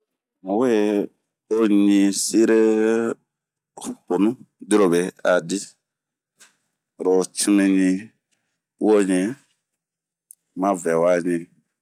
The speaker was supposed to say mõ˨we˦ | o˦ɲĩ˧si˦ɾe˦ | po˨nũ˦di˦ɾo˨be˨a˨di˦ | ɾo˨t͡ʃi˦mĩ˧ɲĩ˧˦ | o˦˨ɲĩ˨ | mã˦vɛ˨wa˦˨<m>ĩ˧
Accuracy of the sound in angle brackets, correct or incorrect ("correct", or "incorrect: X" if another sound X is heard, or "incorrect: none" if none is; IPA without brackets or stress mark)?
incorrect: ɲ